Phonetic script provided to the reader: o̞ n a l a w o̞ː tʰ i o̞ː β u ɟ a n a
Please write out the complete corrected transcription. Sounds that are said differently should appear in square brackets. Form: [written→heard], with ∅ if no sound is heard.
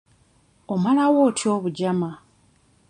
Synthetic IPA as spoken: o̞ [n→m] a l a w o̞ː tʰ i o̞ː β u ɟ a [n→m] a